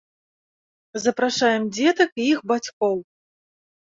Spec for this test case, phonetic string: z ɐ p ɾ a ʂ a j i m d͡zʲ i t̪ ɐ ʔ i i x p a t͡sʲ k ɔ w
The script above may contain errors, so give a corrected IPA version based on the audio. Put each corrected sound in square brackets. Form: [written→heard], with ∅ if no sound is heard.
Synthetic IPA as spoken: z ɐ p ɾ a ʂ a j [i→ɛ] m d͡zʲ [i→ɛ] t̪ ɐ [ʔ→k] i i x [p→b] a t͡sʲ k ɔ w